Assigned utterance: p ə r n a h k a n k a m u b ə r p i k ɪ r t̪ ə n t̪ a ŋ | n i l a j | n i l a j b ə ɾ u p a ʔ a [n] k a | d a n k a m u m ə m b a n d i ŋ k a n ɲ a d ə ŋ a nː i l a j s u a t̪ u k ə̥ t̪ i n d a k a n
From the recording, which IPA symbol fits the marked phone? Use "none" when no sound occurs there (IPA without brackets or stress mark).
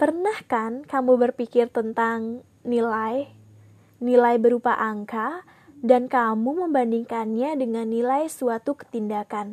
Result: ŋ